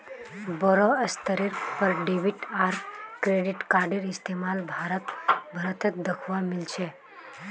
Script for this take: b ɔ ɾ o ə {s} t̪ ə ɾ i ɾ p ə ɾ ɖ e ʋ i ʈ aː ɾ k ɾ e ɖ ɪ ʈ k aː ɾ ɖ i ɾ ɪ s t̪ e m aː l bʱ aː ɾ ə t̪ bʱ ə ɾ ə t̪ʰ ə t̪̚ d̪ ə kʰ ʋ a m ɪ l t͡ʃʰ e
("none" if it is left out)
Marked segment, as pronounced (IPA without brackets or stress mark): s